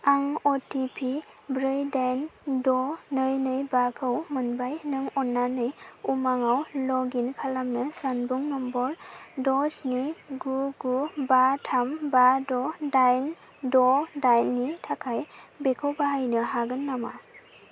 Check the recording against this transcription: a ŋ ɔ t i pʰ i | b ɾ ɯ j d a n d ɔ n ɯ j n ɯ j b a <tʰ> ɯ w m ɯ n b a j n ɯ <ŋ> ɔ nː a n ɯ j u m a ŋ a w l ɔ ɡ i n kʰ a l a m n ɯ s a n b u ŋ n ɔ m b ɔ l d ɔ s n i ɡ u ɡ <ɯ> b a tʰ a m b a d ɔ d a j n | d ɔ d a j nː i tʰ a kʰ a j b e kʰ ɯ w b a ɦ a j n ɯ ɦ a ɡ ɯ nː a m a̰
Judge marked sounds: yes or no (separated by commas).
no, yes, no